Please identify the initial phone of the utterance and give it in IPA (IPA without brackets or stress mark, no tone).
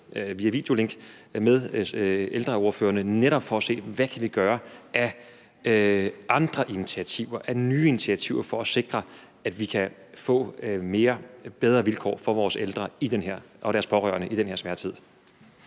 ʋ